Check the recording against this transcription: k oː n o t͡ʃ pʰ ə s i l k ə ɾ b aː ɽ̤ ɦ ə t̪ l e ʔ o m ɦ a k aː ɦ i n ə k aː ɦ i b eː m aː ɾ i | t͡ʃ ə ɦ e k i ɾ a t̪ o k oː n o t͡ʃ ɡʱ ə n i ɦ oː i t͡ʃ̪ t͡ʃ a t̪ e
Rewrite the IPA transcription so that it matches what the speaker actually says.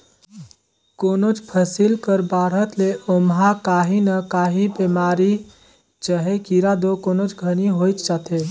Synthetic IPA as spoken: k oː n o t͡ʃ pʰ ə s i l k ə ɾ b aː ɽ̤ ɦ ə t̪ l e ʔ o m ɦ a k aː ɦ i n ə k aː ɦ i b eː m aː ɾ i | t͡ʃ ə ɦ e k i ɾ a d̪ o k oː n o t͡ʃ ɡʱ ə n i ɦ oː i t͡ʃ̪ t͡ʃ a t̪ e